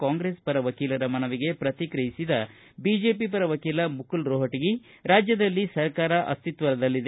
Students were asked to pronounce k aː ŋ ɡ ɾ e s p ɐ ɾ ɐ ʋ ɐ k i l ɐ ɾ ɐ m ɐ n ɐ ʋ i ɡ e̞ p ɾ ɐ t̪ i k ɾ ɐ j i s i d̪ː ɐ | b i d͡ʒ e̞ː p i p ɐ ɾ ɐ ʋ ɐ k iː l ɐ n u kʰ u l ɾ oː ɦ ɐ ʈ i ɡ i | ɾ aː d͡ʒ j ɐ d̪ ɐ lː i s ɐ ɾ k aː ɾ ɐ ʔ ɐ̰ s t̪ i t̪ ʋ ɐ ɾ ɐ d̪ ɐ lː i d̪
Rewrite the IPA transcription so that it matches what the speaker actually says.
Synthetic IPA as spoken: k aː ŋ ɡ ɾ e s p ɐ ɾ ɐ ʋ ɐ k iː l ɐ ɾ ɐ m ɐ n ɐ ʋ i ɡ e̞ p ɾ ɐ t̪ i k ɾ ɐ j i s i d̪ ɐ | b i d͡ʒ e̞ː p i p ɐ ɾ ɐ ʋ ɐ k iː l ɐ m u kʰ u l ɾ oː ɦ ɐ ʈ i ɡ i | ɾ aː d͡ʒ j ɐ d̪ ɐ lː i s ɐ ɾ k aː ɾ ɐ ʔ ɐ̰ s t̪ i t̪ ʋ ɐ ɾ ɐ d̪ ɐ lː i d̪